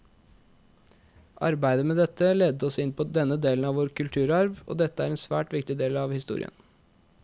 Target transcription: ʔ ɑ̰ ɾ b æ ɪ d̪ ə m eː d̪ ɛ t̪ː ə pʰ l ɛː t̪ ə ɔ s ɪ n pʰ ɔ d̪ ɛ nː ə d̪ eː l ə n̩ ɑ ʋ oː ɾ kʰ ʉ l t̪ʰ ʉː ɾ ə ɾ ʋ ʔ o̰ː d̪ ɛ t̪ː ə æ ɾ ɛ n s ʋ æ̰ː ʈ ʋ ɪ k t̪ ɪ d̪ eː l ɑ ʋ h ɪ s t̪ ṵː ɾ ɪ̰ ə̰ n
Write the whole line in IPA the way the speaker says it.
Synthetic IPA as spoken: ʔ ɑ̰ ɾ b æ ɪ d̪ ə m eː d̪ ɛ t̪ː ə l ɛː d̪ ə ɔ s ɪ n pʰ ɔ d̪ ɛ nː ə d̪ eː l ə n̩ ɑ ʋ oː ɾ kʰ ʉ l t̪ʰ ʉː ɾ ɑ ɾ ʋ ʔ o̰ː d̪ ɛ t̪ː ə æ ɾ ɛ n s ʋ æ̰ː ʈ ʋ ɪ k t̪ ɪ d̪ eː l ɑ ʋ h ɪ s t̪ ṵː ɾ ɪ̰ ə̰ n

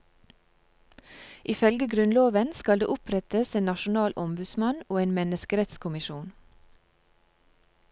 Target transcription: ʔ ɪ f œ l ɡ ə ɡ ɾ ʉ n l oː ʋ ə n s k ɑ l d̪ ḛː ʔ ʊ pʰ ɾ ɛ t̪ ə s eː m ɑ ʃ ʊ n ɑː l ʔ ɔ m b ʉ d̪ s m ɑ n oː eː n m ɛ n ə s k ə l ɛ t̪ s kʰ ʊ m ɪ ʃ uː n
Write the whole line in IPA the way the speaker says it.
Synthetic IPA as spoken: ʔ ɪ f œ l ɡ ə ɡ ɾ ʉ n l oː ʋ ə n s k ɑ l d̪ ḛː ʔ ʊ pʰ ɾ ɛ t̪ ə s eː n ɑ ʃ ʊ n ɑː l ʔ ɔ m b ʉ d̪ s m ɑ n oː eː n m ɛ n ə s k ə ɾ ɛ t̪ s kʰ ʊ m ɪ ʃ uː n

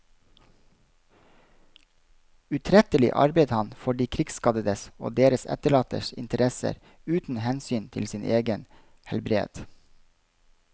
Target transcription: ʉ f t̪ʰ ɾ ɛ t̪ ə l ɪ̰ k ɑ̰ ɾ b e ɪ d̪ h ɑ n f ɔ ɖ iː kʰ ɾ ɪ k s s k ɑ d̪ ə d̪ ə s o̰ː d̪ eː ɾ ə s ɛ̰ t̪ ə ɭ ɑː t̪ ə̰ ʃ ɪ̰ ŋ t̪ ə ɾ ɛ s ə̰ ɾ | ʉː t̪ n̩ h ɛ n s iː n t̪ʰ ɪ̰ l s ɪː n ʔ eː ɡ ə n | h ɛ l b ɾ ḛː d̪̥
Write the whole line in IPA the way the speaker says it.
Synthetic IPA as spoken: ʉ t̪ʰ ɾ ɛ t̪ ə l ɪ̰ ʔ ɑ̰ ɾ b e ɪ d̪ h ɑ n f ɔ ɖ iː kʰ ɾ ɪ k s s k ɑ d̪ ə d̪ ə s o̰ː d̪ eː ɾ ə s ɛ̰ t̪ ə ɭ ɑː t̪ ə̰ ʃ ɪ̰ n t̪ ə ɾ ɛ s ə̰ ɾ | ʉː t̪ n̩ h ɛ n s yː n t̪ʰ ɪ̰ l s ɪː n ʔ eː ɡ ə n | h ɛ l b ɾ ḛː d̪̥

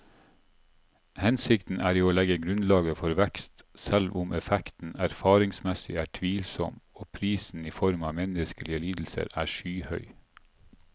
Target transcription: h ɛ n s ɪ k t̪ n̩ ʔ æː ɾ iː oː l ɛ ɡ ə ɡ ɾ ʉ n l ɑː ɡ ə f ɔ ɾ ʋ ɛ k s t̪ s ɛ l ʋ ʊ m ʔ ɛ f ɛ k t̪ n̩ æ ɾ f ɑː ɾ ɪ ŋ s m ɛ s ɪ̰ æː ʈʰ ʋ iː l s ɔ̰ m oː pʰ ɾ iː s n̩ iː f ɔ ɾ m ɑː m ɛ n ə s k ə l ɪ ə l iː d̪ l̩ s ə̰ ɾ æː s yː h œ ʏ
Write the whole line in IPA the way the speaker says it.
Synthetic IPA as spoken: h ɛ n s ɪ k t̪ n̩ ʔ æː ɾ iː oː l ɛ ɡ ə ɡ ɾ ʉ n l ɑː ɡ ə f ɔ ɾ ʋ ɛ k s t̪ s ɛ l ʋ ʊ m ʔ ɛ f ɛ k t̪ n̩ æ ɾ f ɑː ɾ ɪ ŋ s m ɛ s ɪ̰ æː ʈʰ ʋ iː l s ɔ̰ m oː pʰ ɾ iː s n̩ iː f ɔ ɾ m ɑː m ɛ n ə s k ə l ɪ ə l iː d̪ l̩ s ə̰ ɾ æː ʃ yː h œ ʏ

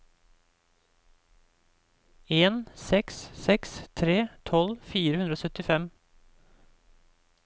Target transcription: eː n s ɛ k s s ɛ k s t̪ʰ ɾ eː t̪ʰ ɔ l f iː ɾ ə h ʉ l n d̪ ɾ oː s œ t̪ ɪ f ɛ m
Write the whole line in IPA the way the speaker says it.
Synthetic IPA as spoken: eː n s ɛ k s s ɛ k s t̪ʰ ɾ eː t̪ʰ ɔ l f iː ɾ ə h ʉ n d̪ ɾ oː s œ t̪ ɪ f ɛ m

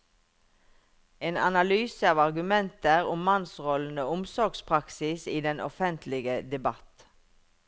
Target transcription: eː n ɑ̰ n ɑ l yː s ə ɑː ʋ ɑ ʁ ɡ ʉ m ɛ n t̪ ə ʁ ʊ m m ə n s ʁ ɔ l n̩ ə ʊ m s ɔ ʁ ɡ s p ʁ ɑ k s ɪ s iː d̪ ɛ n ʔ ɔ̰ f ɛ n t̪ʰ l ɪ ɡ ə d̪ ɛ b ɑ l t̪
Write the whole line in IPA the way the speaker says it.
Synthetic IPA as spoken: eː n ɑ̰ n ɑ l yː s ə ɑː ʋ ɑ ʁ ɡ ʉ m ɛ n t̪ ə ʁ ʊ m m ɑ n s ʁ ɔ l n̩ ə ʊ m s ɔ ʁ ɡ s pʰ ʁ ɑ k s ɪ s iː d̪ ɛ n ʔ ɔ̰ f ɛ n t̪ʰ l ɪ ɡ ə d̪ ɛ b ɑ t̪

